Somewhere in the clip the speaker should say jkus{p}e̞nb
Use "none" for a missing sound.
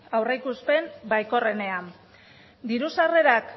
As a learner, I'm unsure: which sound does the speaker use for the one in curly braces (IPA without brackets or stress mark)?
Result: p